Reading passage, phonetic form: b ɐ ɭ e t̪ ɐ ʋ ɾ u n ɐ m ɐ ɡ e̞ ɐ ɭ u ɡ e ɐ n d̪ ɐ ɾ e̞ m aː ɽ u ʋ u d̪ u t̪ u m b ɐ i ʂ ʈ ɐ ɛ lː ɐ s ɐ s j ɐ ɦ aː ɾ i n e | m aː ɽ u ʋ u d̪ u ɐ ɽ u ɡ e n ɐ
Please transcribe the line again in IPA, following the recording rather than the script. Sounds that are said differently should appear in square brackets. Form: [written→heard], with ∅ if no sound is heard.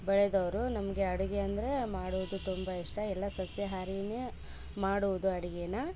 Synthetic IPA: b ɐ ɭ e [t̪→d̪] ɐ ʋ ɾ u n ɐ m ɐ ɡ e̞ ɐ [ɭ→ɽ] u ɡ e ɐ n d̪ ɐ ɾ e̞ m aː ɽ u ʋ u d̪ u t̪ u m b ɐ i ʂ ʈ ɐ ɛ lː ɐ s ɐ s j ɐ ɦ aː ɾ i n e | m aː ɽ u ʋ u d̪ u ɐ ɽ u ɡ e n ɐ